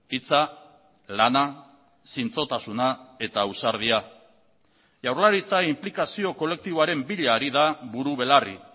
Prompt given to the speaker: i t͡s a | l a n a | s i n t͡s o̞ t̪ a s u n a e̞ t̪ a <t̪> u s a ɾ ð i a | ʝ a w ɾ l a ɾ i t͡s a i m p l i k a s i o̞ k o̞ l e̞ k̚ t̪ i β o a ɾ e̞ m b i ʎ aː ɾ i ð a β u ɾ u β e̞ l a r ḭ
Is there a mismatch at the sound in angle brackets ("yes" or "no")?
yes